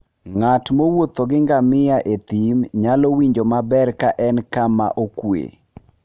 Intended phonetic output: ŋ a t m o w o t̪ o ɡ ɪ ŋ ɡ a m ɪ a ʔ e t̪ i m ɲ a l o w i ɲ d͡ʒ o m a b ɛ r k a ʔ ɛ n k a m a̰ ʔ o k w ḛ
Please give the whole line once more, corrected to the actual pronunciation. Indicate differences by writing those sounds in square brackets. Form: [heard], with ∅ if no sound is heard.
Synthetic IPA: ŋ a t m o w o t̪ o ɡ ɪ ŋ ɡ a m ɪ a ʔ e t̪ i m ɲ a l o w i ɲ d͡ʒ o m a b ɛ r k a ʔ ɛ n k a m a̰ ʔ o k w ḛ